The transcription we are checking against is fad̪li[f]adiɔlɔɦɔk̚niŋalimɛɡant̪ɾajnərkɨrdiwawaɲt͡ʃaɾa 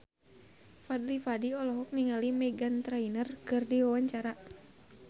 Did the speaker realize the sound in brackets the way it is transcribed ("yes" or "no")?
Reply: yes